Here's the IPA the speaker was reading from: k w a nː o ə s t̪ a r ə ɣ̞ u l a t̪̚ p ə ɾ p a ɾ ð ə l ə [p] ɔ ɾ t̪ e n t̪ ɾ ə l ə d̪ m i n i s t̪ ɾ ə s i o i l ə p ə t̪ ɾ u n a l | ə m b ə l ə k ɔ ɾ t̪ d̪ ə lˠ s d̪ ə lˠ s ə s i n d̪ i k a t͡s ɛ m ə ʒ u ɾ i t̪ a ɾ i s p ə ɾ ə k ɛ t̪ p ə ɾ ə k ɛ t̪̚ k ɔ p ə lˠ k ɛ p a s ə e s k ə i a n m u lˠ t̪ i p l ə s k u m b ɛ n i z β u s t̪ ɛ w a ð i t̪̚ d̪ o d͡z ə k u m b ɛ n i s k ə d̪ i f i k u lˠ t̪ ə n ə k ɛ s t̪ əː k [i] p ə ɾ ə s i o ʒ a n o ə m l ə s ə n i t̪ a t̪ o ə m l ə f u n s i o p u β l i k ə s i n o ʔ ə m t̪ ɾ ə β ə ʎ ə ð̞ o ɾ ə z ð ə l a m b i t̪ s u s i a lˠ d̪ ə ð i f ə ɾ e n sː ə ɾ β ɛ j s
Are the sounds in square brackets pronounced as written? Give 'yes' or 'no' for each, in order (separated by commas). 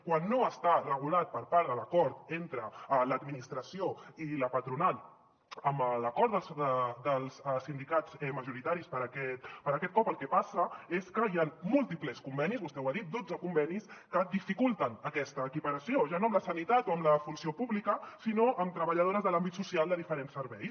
no, yes